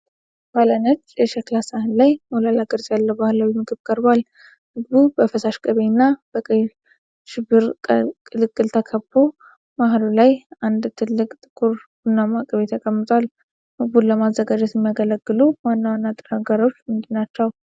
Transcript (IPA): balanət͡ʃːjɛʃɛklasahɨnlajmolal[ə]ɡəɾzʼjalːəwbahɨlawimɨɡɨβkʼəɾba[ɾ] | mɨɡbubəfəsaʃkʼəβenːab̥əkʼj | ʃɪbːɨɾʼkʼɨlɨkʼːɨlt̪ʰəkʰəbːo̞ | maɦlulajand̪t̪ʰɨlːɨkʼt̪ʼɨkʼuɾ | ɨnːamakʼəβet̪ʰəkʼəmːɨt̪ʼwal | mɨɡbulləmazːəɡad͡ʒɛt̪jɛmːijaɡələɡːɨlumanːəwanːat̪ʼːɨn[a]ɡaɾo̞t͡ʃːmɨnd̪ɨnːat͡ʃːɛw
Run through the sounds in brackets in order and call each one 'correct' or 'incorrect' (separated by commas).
incorrect, incorrect, correct